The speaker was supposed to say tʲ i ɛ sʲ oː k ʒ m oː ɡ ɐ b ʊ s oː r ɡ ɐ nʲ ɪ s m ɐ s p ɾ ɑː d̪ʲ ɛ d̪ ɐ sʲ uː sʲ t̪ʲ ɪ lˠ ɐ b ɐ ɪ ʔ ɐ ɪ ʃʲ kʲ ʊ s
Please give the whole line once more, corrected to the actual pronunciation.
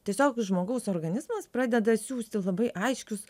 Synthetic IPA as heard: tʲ i ɛ sʲ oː k ʒ m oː ɡ ɐ ʊ s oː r ɡ ɐ nʲ ɪ z m ɐ s p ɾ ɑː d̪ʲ ɛ d̪ ɐ sʲ uː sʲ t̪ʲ ɪ lˠ ɐ b ɐ ɪ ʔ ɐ ɪ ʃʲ kʲ ʊ s

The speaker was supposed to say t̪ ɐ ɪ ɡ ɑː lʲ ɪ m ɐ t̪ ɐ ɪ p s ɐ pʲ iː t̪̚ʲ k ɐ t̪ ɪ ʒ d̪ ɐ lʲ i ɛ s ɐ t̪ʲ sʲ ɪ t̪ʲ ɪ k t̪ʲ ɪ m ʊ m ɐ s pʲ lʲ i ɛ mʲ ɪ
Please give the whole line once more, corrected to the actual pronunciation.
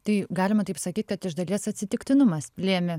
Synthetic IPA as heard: t̪ ɐ ɪ ɡ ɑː lʲ ɪ m ɐ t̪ ɐ ɪ p s ɐ kʲ iː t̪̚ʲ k ɐ t̪ ɪ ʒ d̪ ɐ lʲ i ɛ s ɐ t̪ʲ sʲ ɪ t̪ʲ ɪ k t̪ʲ ɪ n ʊ m ɐ s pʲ lʲ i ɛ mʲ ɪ

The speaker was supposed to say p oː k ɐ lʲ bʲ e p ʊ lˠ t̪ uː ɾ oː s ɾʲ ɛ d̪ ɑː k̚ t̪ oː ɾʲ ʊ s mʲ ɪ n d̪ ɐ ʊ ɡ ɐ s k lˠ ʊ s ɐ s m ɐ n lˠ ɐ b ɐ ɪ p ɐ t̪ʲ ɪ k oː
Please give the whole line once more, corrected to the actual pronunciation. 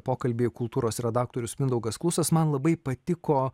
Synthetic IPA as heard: p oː k ɐ lʲ bʲ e k ʊ lˠ t̪ uː ɾ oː s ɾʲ ɛ d̪ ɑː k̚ t̪ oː ɾʲ ʊ s mʲ ɪ n d̪ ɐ ʊ ɡ ɐ s k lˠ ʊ s ɐ s m ɐ n lˠ ɐ b ɐ ɪ p ɐ t̪ʲ ɪ k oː

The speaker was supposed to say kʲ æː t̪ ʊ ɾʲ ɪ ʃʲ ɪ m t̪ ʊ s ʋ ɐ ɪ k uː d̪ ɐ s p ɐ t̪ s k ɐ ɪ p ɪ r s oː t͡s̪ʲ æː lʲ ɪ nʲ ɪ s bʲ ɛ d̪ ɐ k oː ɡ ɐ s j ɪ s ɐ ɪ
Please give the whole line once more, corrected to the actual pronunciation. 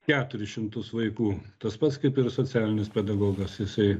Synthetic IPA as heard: kʲ æː t̪ ʊ ɾʲ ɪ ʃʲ ɪ m t̪ ʊ s ʋ ɐ ɪ k uː t̪ ɐ s p ɐ t̪ s k ɐ ɪ p ɪ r s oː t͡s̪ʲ æː lʲ ɪ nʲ ɪ s pʲ ɛ d̪ ɐ ɡ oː ɡ ɐ s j ɪ s ɐ ɪ

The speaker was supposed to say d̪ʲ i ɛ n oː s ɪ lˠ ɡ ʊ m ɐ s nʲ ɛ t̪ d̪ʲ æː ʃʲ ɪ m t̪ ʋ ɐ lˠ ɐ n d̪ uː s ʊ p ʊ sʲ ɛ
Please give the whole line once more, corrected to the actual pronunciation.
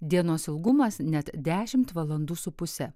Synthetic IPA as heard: d̪ʲ i ɛ n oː s ɪ lˠ ɡ ʊ m ɐ s nʲ ɛ t̪ d̪ʲ æː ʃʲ ɪ m t̪ ʋ ɐ lˠ ɐ n d̪ uː s ʊ p ʊ sʲ ɛ

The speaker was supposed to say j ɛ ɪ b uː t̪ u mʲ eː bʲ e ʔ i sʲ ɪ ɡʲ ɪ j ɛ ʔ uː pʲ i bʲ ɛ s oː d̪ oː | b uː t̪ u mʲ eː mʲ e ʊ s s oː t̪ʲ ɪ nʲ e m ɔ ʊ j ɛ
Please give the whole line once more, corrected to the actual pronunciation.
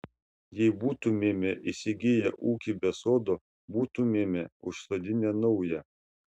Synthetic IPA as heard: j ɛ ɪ b uː t̪ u mʲ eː mʲ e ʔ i sʲ ɪ ɡʲ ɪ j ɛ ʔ uː kʲ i bʲ ɛ s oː d̪ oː | b uː t̪ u mʲ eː mʲ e ʊ ʃ s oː d̪ʲ ɪ nʲ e n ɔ ʊ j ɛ

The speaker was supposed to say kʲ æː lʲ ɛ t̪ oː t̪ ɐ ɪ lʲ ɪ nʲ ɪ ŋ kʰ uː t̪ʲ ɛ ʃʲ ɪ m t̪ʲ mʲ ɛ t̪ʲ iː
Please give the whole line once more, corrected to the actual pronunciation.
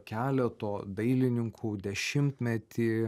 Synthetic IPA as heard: kʲ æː lʲ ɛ t̪ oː d̪ ɐ ɪ lʲ ɪ nʲ ɪ ŋ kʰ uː d̪ʲ ɛ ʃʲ ɪ m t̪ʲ mʲ ɛ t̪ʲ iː

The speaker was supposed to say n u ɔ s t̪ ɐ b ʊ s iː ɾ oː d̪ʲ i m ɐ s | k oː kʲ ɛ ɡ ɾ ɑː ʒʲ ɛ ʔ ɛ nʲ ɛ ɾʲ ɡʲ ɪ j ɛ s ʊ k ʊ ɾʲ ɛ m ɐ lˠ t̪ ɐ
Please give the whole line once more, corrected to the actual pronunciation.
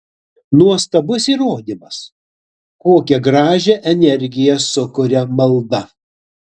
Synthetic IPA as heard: n u ɔ s t̪ ɐ b ʊ s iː ɾ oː d̪ʲ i m ɐ s | k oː kʲ ɛ ɡ ɾ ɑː ʒʲ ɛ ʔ ɛ nʲ ɛ ɾʲ ɡʲ ɪ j ɛ s ʊ k ʊ ɾʲ ɛ m ɐ lˠ d̪ ɐ

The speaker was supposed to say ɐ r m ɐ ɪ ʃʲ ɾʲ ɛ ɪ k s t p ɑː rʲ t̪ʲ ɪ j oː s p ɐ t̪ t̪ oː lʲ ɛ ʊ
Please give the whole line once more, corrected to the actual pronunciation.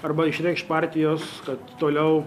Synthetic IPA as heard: ɐ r b ɐ ɪ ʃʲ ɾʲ ɛ ɪ k ʃ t p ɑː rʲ t̪ʲ ɪ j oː s k ɐ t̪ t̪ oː lʲ ɛ ʊ

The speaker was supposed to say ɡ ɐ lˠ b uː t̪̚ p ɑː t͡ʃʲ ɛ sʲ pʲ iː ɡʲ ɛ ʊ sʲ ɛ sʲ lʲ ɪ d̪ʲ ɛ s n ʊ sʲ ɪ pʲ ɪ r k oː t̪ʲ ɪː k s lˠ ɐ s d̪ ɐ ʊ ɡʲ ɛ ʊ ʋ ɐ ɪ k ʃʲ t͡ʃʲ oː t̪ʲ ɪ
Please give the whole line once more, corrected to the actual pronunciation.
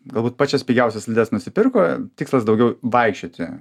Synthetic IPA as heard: ɡ ɐ lˠ b uː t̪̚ p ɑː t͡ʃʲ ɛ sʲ pʲ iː ɡʲ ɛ ʊ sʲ ɛ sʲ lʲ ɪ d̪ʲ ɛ s n ʊ sʲ ɪ pʲ ɪ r k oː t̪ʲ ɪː k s lˠ ɐ s d̪ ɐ ʊ ɡʲ ɛ ʊ ʋ ɐ ɪ k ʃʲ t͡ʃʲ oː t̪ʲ ɪ

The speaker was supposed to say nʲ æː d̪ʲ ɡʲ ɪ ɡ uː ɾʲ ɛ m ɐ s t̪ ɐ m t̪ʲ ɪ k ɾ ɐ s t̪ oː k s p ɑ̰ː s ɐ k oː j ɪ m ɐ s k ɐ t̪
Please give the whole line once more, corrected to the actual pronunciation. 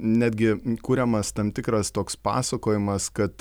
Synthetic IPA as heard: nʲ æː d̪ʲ ɡʲ ɪ k uː ɾʲ ɛ m ɐ s t̪ ɐ m t̪ʲ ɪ k ɾ ɐ s t̪ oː k s p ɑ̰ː s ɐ k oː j ɪ m ɐ s k ɐ t̪

